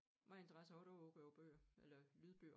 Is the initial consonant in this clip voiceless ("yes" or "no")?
no